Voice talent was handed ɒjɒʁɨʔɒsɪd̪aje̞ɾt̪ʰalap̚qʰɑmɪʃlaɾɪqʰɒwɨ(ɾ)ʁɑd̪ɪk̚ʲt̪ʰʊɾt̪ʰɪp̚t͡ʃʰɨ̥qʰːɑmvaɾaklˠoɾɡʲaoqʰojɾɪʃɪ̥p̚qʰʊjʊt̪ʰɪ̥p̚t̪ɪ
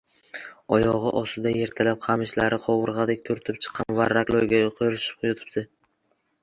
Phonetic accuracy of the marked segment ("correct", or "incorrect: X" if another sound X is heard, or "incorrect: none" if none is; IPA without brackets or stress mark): correct